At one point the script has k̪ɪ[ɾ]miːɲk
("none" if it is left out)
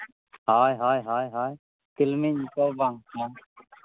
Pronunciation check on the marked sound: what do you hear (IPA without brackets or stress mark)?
l